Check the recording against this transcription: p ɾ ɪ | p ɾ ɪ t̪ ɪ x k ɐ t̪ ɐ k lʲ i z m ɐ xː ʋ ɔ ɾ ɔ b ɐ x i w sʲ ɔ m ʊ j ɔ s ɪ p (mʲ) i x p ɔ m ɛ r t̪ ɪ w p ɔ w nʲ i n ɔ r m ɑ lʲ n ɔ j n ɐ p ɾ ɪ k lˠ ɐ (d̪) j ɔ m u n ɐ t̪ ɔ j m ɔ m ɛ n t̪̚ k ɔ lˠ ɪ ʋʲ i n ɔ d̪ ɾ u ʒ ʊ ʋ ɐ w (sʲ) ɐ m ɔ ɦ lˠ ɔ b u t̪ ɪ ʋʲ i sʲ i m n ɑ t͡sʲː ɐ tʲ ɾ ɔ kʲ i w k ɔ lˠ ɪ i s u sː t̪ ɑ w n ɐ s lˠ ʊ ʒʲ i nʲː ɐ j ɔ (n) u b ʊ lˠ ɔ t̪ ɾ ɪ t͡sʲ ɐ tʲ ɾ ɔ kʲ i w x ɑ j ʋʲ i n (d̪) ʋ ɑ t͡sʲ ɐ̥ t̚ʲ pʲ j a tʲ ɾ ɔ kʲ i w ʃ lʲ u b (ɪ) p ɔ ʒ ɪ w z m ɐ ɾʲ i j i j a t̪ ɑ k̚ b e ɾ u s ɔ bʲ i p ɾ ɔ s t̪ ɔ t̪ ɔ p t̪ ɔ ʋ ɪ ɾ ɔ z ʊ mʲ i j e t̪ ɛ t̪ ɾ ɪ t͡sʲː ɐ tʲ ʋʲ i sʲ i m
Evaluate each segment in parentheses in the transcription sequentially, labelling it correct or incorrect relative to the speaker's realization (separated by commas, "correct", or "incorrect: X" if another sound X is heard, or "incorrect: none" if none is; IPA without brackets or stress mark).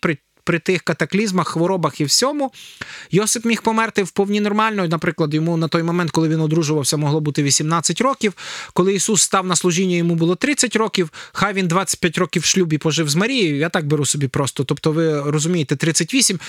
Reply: correct, correct, correct, incorrect: m, correct, incorrect: i